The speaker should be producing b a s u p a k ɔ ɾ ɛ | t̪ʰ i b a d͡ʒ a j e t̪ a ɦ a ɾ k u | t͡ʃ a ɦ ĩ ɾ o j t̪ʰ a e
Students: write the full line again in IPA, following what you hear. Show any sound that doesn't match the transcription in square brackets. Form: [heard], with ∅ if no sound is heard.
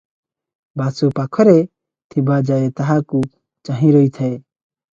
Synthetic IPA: b a s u p a [kʰ] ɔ ɾ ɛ | t̪ʰ i b a d͡ʒ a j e t̪ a ɦ a [∅] k u | t͡ʃ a ɦ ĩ ɾ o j t̪ʰ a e